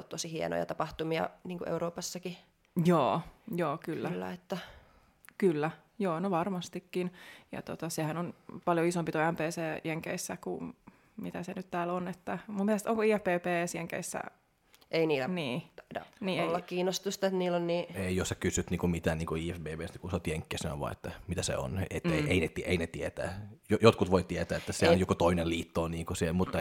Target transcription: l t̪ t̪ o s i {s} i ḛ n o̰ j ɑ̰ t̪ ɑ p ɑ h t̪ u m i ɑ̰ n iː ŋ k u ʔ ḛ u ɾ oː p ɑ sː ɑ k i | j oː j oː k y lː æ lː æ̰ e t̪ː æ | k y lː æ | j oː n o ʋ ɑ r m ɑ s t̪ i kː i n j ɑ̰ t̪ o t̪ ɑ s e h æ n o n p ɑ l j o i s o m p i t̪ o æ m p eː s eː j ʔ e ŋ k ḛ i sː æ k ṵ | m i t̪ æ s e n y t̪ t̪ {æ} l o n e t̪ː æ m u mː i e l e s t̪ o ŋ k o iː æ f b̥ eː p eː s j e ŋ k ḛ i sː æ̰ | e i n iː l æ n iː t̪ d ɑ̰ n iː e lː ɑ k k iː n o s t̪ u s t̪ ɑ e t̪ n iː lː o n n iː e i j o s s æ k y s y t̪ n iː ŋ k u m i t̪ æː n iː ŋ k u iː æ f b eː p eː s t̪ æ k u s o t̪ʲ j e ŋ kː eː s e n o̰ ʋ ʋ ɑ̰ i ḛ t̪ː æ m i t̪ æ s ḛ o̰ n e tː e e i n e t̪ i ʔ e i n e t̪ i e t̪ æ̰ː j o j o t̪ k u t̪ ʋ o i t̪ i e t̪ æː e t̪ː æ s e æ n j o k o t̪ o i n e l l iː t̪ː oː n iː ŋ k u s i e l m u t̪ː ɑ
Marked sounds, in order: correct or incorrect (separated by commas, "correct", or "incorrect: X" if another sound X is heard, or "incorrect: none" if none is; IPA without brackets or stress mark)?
incorrect: h, incorrect: æː